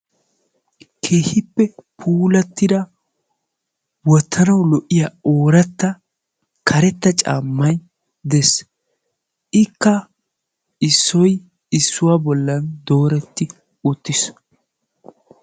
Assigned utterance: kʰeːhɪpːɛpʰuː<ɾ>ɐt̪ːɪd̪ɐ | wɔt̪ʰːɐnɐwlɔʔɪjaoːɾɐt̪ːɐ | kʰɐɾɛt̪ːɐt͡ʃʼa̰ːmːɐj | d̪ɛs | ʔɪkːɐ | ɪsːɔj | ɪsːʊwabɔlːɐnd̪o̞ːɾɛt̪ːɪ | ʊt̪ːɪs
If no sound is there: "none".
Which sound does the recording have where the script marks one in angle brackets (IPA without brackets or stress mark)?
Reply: l